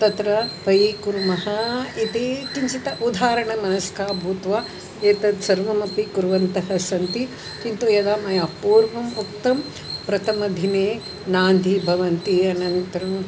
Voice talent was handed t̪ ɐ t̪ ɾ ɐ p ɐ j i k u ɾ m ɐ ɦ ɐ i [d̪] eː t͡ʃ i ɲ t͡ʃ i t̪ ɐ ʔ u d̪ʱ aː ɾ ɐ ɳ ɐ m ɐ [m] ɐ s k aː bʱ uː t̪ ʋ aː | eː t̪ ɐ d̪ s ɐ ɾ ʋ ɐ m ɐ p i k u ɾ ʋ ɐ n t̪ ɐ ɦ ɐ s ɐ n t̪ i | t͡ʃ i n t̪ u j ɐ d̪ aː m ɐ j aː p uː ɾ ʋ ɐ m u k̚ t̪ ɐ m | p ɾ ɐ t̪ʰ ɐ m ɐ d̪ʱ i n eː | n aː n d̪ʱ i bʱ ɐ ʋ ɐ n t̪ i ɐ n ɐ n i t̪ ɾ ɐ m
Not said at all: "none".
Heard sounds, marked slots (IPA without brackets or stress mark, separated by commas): t̪, n